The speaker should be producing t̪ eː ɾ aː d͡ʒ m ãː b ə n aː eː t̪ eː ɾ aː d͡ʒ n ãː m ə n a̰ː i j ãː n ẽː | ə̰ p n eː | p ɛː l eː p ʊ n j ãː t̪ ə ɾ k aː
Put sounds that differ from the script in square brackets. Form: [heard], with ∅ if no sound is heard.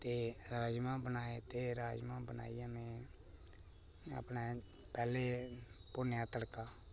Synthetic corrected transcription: t̪ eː ɾ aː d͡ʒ m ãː b ə n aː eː t̪ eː ɾ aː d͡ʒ [m] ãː [b] ə n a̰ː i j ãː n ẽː | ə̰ p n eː | p ɛː l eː p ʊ n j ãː t̪ ə [ɽ] k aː